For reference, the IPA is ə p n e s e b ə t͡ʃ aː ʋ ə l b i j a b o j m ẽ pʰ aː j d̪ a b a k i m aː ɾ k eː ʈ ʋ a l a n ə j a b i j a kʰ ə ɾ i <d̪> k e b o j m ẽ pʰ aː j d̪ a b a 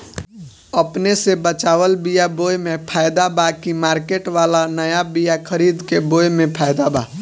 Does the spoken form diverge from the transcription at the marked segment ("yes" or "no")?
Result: no